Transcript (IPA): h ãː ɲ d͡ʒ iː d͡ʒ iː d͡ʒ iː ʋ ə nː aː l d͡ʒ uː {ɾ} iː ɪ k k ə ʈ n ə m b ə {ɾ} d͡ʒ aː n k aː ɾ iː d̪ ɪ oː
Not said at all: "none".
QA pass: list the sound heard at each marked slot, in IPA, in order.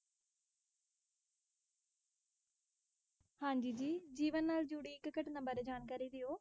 ɽ, ɾ

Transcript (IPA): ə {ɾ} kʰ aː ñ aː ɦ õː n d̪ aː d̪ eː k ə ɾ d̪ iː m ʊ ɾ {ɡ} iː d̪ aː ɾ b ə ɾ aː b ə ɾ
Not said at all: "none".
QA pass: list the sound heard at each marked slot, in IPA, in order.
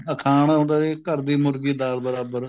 none, ɡ

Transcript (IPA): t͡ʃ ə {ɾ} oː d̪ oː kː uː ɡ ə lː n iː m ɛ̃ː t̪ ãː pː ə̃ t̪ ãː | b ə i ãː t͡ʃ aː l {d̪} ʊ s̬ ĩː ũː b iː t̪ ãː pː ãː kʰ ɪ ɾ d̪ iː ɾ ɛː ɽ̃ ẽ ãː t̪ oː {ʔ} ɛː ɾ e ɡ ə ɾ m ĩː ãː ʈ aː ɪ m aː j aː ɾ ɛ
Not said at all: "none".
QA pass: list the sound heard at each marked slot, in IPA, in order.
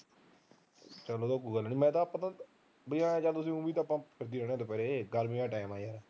l, t̪, p

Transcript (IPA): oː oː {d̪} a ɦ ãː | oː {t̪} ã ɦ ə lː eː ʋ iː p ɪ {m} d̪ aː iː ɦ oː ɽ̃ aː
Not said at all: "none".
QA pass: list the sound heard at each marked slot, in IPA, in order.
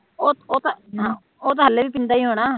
t̪, t̪, n

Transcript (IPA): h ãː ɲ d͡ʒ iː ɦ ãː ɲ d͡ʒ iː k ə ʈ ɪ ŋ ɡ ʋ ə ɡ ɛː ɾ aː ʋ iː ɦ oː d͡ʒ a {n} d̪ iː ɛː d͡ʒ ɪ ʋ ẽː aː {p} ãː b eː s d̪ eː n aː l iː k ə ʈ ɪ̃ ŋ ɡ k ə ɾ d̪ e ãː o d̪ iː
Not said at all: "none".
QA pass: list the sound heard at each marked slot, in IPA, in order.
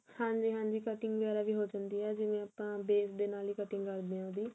n, p

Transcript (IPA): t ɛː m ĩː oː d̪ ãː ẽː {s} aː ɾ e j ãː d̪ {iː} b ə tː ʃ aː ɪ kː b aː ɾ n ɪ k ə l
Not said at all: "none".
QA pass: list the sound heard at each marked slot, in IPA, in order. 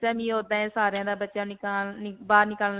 s, aː

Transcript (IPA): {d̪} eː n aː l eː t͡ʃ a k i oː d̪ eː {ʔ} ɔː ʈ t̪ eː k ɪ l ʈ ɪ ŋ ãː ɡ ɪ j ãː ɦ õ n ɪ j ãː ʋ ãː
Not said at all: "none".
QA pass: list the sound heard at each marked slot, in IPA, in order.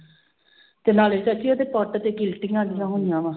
t̪, p

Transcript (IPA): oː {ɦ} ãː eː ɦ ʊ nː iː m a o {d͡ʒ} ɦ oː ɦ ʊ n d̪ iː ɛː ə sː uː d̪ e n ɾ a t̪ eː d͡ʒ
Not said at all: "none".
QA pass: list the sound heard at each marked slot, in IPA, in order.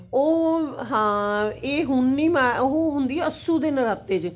ɦ, none

